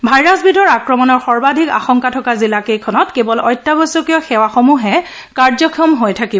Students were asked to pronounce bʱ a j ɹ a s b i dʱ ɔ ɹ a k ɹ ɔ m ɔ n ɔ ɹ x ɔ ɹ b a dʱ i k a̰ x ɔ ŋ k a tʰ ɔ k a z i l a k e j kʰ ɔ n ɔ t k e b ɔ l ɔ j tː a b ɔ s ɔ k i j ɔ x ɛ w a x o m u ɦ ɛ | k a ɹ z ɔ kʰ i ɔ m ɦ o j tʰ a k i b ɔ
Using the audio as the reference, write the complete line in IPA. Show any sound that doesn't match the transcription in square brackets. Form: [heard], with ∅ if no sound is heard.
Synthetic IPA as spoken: bʱ a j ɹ a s b i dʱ ɔ ɹ a k ɹ ɔ m ɔ n ɔ ɹ x ɔ ɹ b a dʱ i k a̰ x ɔ ŋ k a tʰ ɔ k a z i l a k e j kʰ ɔ n ɔ t k e b ɔ l ɔ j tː a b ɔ s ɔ k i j ɔ x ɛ w a x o m u ɦ ɛ | k a ɹ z ɔ kʰ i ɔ m ɦ o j tʰ a k i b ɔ